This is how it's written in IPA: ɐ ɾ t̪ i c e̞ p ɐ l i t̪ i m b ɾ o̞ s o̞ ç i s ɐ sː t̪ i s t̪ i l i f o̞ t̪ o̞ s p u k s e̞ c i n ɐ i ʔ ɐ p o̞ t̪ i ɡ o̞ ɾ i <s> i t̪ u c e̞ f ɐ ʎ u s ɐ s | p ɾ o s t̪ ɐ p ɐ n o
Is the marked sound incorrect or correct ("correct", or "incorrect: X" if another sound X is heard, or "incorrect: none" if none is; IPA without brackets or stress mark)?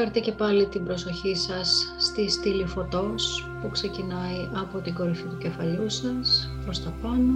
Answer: incorrect: f